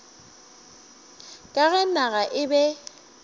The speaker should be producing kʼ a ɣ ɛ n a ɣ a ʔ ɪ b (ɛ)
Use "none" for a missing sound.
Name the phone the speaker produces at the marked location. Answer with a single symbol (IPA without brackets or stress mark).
ɛ